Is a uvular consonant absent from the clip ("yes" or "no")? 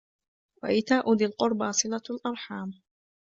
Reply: no